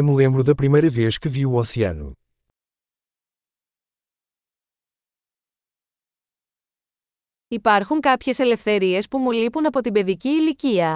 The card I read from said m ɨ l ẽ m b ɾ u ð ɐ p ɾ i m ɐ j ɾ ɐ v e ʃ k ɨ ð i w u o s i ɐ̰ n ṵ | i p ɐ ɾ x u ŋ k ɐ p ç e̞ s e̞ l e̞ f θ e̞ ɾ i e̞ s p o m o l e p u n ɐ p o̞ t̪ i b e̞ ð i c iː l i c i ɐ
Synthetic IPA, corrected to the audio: m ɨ l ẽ m b ɾ u ð ɐ p ɾ i m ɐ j ɾ ɐ v e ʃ k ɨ v i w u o s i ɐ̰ n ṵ | i p ɐ ɾ x u ŋ k ɐ p ç e̞ s e̞ l e̞ f θ e̞ ɾ i e̞ s p u m u l i p u n ɐ p o̞ t̪ i b e̞ ð i c iː l i c i ɐ